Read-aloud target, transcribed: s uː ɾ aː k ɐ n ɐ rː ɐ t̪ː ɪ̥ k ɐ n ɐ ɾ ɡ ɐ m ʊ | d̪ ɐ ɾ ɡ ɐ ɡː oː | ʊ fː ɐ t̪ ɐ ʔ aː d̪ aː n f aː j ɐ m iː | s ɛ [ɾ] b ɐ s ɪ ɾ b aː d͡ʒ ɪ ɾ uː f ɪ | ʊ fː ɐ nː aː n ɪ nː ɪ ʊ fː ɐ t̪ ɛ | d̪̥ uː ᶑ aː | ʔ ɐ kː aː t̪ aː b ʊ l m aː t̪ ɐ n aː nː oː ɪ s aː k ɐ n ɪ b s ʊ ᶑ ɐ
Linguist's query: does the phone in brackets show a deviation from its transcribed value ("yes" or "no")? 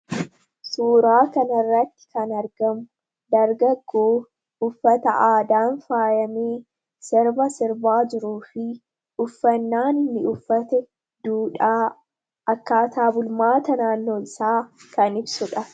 no